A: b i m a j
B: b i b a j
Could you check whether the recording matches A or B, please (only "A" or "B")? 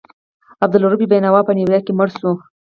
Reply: B